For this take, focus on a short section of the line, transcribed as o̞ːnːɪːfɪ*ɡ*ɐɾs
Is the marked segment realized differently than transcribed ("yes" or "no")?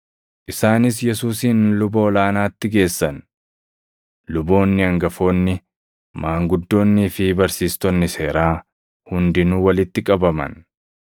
yes